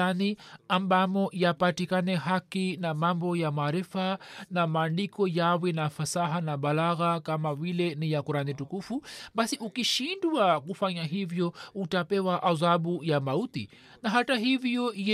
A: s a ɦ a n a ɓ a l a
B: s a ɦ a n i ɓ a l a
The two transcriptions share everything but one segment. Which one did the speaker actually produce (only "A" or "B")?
A